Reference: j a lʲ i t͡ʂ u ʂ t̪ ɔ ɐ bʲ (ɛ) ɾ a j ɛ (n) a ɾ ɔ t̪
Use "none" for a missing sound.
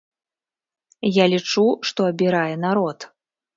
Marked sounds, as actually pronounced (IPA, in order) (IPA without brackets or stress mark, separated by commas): i, n